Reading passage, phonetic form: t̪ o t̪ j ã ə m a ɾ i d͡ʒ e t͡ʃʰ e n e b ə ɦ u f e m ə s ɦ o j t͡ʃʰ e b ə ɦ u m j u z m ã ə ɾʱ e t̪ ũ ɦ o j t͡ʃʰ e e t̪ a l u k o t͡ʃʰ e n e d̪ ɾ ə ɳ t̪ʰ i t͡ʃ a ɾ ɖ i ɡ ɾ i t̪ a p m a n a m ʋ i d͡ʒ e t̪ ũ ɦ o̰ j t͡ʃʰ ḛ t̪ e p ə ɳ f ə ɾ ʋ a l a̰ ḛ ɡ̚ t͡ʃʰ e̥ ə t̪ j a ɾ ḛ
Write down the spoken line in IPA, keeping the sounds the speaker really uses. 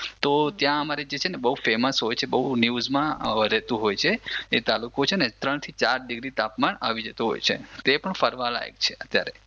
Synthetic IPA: t̪ o t̪ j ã ə m a ɾ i d͡ʒ e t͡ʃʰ e n e b ə ɦ u f e m ə s ɦ o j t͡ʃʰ e b ə ɦ u n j u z m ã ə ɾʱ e t̪ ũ ɦ o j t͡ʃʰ e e t̪ a l u k o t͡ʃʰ e n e t̪ ɾ ə ɳ t̪ʰ i t͡ʃ a ɾ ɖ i ɡ ɾ i t̪ a p m a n a ʋ i d͡ʒ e t̪ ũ ɦ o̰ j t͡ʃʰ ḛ t̪ e p ə ɳ f ə ɾ ʋ a l a̰ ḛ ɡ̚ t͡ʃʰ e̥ ə t̪ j a ɾ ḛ